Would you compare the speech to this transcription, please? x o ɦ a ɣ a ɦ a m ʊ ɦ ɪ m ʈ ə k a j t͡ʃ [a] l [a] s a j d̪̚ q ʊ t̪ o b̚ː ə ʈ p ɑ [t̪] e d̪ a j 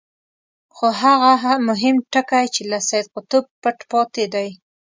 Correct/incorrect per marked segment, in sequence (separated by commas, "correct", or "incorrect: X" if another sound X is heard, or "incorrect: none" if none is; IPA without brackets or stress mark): incorrect: e, correct, correct